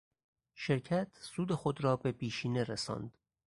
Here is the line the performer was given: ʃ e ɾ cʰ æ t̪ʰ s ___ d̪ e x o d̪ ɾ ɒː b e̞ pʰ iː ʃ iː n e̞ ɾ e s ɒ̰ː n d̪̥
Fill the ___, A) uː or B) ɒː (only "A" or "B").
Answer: A